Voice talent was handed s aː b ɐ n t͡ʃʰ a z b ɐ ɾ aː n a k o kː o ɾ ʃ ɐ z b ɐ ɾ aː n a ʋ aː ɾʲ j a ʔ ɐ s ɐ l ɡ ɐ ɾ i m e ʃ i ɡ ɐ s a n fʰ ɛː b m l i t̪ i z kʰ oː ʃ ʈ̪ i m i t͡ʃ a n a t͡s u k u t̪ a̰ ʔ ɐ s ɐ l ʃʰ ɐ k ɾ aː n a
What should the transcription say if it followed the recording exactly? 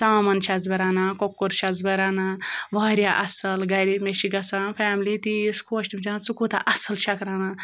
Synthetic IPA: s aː m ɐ n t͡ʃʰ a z b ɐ ɾ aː n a k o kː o ɾ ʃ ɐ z b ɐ ɾ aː n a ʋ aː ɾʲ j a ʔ ɐ s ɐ l ɡ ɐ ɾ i m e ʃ i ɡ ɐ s a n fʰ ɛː m l i t̪ i s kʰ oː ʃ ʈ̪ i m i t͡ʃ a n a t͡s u k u t̪ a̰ ʔ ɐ s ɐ l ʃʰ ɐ k ɾ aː n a

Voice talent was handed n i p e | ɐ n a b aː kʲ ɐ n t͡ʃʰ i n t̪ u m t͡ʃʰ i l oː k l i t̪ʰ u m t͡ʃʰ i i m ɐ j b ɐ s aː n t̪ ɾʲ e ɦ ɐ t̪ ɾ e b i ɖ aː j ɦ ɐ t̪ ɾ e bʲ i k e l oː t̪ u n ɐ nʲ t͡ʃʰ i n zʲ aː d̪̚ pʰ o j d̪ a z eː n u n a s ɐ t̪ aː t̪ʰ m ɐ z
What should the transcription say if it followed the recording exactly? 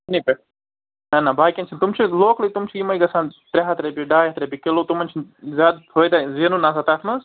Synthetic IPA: n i p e | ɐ n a b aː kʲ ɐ n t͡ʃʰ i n t̪ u m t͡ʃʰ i l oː k l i t̪ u m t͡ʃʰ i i m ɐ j ɡ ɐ s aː n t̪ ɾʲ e ɦ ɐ t̪ ɾ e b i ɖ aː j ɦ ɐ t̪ ɾ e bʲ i k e l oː t̪ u m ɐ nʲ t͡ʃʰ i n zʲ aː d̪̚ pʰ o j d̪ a z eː n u n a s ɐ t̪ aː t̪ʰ m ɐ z

